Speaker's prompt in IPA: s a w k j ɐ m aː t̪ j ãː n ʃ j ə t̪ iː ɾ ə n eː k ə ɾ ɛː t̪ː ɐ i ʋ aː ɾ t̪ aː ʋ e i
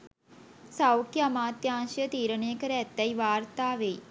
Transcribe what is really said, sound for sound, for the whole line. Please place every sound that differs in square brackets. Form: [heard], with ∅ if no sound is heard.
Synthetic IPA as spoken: s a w k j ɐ m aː t̪ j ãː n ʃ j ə t̪ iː ɾ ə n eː k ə ɾ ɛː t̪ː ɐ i ʋ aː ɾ t̪ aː ʋ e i